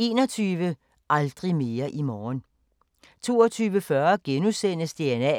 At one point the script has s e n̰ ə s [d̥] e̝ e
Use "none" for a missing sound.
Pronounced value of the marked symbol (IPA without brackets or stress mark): d̥